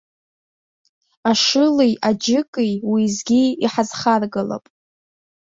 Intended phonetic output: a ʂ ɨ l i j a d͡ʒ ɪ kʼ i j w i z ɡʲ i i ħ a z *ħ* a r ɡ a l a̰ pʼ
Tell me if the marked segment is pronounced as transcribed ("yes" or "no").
no